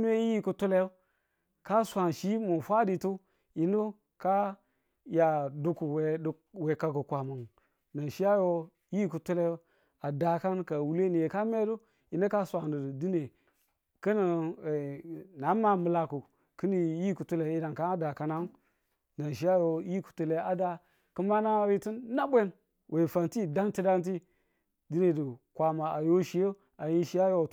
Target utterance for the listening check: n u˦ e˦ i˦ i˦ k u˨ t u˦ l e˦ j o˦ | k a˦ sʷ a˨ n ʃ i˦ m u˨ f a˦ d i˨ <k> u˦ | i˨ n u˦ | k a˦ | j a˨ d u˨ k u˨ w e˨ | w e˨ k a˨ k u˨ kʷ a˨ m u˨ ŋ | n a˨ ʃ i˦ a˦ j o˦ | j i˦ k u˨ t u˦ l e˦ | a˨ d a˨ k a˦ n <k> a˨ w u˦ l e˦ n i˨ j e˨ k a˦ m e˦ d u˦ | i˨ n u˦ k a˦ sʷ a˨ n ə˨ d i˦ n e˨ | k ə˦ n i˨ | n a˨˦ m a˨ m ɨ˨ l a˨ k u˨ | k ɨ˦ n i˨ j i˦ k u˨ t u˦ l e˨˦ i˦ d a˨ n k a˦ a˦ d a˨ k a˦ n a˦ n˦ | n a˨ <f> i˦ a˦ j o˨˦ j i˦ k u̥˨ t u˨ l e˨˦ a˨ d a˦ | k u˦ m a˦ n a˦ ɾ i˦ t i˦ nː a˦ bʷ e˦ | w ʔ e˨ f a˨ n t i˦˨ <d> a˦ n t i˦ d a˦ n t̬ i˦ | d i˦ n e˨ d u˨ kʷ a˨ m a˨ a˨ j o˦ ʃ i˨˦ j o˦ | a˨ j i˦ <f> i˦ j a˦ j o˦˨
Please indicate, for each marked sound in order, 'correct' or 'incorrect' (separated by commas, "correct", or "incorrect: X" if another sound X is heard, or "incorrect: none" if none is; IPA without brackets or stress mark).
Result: incorrect: t, correct, incorrect: ʃ, correct, incorrect: ʃ